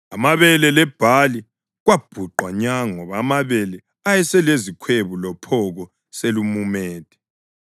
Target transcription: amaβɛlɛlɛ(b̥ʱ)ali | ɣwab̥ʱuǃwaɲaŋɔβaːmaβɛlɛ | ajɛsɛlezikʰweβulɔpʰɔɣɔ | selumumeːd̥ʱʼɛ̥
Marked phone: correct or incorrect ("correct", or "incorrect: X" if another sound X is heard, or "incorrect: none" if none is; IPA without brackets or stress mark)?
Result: correct